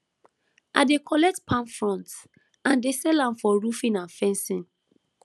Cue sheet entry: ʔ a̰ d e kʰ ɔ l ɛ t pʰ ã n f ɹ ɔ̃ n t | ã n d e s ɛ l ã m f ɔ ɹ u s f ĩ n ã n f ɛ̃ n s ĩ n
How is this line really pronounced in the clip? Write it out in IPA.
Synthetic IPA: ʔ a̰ d e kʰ ɔ l ɛ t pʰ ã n f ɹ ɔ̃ n t | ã n d e s ɛ l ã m f ɔ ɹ u f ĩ n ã n f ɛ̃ n s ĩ n